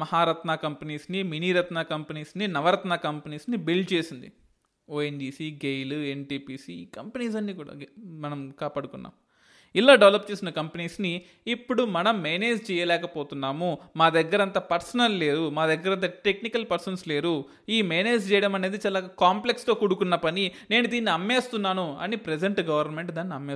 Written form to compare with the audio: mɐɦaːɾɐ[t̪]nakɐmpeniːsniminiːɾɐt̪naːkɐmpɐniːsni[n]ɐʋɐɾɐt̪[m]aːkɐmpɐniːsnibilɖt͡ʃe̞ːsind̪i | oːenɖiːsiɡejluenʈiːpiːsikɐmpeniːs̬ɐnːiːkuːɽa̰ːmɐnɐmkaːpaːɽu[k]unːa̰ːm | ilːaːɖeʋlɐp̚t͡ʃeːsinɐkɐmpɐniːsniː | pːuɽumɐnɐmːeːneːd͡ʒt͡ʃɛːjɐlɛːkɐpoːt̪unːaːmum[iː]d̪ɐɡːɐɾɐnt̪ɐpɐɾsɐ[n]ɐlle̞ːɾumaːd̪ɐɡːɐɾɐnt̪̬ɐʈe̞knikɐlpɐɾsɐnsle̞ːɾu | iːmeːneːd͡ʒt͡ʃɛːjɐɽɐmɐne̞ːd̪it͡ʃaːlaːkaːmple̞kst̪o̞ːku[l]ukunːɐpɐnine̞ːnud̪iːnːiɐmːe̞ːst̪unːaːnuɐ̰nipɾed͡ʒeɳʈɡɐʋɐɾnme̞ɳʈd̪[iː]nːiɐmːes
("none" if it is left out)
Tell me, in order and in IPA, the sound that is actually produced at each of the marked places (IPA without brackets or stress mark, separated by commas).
t̪, n, n, k, aː, n, ɽ, aː